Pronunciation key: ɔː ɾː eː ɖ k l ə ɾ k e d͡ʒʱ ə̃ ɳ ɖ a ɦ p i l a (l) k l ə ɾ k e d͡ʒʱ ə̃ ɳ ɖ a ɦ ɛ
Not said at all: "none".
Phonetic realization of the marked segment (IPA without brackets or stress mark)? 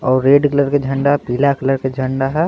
none